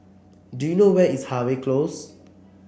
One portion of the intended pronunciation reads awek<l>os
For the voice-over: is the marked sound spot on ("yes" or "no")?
yes